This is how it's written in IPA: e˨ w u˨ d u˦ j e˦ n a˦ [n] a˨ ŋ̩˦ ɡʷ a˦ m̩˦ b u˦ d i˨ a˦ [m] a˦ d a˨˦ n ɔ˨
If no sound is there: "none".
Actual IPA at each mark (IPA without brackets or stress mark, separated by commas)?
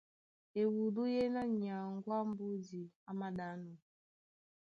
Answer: ɲ, m